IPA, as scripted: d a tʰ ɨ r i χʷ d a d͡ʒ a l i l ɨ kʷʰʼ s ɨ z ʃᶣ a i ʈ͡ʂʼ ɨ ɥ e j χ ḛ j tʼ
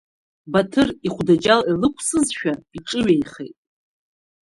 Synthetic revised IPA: b a tʰ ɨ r i χʷ d a d͡ʒ a l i l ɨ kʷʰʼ s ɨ z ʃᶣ a i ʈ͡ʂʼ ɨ ɥ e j χ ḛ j tʼ